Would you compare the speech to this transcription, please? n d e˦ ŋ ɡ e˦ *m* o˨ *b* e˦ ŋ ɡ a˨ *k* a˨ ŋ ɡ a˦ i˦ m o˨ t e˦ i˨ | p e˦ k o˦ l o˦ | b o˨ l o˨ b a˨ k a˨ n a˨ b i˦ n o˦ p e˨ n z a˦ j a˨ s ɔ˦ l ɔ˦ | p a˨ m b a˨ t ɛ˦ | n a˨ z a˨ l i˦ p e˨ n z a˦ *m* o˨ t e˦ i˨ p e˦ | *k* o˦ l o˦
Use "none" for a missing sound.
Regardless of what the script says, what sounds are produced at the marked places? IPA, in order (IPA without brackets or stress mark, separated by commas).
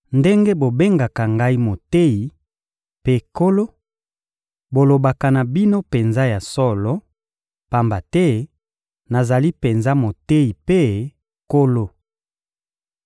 b, b, k, m, k